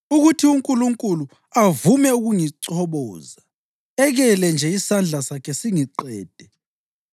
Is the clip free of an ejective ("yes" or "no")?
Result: no